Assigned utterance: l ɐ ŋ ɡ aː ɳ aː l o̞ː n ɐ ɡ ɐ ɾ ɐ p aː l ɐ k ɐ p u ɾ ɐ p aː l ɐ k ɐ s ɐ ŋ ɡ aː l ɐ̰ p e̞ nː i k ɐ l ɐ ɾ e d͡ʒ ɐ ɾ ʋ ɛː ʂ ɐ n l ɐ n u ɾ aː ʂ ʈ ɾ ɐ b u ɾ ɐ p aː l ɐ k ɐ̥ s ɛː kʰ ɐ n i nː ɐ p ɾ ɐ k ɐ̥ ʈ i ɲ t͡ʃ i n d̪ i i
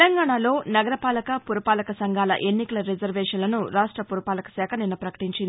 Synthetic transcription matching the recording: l ɐ ŋ ɡ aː ɳ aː l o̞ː n ɐ ɡ ɐ ɾ ɐ p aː l ɐ k ɐ p u ɾ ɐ p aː l ɐ k ɐ s ɐ ŋ ɡ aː l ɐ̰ ʔ e̞ nː i k ɐ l ɐ ɾ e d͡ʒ ɐ ɾ ʋ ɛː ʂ ɐ n l ɐ n u ɾ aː ʂ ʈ ɾ ɐ p u ɾ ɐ p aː l ɐ k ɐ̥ s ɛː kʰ ɐ n i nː ɐ p ɾ ɐ k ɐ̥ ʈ i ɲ t͡ʃ i n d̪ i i